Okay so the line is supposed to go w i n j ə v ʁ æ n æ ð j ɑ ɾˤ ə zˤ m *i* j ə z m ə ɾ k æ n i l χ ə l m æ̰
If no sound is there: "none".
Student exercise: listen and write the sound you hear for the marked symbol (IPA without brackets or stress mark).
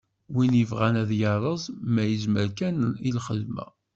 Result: æ